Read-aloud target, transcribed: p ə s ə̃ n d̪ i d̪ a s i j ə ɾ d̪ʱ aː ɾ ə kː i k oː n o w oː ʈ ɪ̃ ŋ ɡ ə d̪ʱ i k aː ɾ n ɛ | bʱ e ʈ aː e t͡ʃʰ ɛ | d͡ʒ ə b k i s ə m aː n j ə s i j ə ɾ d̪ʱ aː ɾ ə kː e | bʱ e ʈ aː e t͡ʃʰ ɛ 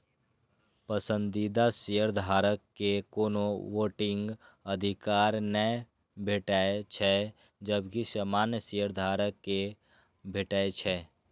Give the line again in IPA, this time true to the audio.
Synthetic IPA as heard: p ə s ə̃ n d̪ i d̪ a s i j ə ɾ d̪ʱ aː ɾ ə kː e k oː n o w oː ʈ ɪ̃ ŋ ɡ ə d̪ʱ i k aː ɾ n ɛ | bʱ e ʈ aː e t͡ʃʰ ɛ | d͡ʒ ə b k i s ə m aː n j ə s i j ə ɾ d̪ʱ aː ɾ ə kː e | bʱ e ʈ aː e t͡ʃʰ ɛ